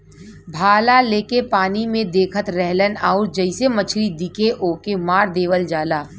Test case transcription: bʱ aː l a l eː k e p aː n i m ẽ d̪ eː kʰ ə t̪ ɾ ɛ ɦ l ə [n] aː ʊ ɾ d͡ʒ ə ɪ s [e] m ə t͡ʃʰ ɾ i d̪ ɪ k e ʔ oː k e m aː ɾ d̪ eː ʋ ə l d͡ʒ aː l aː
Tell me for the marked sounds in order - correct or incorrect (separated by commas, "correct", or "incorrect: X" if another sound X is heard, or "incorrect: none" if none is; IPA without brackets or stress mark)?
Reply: correct, correct